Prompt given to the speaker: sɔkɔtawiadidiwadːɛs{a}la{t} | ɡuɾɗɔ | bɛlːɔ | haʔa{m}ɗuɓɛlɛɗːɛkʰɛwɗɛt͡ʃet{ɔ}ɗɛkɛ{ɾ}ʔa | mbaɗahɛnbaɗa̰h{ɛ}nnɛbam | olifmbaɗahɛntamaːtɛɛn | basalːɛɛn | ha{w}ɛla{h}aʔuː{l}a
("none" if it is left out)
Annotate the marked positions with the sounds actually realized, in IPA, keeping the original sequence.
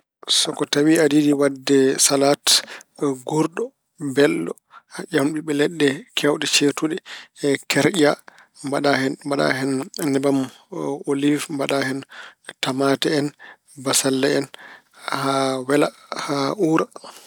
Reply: a, t, m, u, ɾ, ɛ, w, h, ɾ

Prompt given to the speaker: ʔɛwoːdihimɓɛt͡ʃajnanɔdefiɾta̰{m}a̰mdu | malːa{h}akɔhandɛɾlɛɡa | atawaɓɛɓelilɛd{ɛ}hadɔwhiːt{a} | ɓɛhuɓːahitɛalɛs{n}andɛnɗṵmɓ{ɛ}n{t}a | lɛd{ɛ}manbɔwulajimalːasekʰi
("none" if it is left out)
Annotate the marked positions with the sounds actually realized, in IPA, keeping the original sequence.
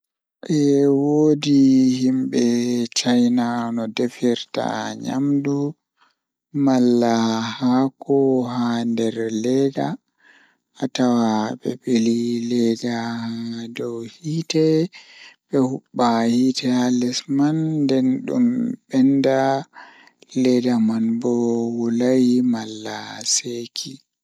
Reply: ɲ, h, a, ɛ, m, ɛ, d, a

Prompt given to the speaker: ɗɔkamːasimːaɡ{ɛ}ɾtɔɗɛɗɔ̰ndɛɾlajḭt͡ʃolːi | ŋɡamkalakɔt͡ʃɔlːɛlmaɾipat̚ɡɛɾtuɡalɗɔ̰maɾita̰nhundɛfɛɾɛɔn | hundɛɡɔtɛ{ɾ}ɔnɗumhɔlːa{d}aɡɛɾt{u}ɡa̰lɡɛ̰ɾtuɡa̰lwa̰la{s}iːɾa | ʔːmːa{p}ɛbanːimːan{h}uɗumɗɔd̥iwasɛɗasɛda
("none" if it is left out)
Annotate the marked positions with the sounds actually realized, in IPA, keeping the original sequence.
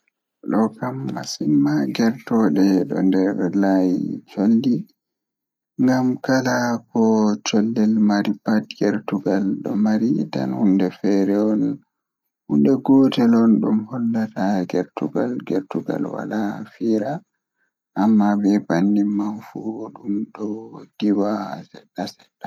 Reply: ɛ, l, t, u, f, b, f

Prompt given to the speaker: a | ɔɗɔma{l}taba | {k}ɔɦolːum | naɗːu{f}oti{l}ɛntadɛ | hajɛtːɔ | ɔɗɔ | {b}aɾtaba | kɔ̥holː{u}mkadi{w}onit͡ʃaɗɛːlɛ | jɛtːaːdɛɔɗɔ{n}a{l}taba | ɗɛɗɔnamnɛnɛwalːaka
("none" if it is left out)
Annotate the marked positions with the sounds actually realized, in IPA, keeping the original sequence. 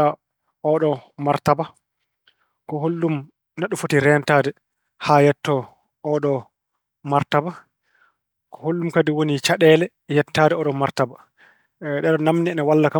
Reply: ɾ, k, f, ɾ, m, u, w, m, ɾ

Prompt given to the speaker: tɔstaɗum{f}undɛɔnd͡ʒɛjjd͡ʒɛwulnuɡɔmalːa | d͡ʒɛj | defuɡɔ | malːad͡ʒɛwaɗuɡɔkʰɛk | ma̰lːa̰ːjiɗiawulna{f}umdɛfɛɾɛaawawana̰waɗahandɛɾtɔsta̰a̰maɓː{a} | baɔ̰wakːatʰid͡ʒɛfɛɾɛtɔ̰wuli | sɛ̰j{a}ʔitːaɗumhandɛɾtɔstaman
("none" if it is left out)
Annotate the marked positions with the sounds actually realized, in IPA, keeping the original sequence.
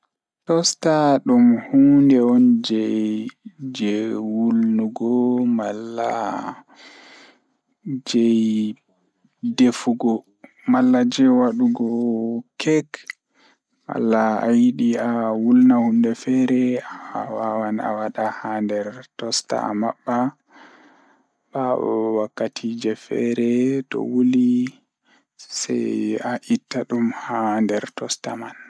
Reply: h, h, a, a

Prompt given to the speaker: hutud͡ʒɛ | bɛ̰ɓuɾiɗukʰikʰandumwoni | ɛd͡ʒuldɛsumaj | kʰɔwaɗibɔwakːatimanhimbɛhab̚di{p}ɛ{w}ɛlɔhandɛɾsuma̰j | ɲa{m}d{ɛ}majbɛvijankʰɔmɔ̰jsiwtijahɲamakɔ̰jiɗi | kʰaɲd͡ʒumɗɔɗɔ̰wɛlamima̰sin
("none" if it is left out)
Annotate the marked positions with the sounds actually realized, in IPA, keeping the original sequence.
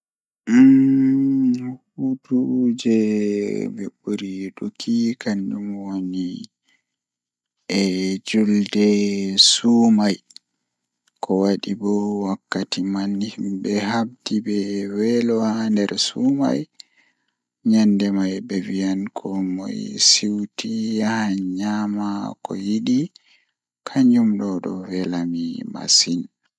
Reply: b, w, n, ɛ

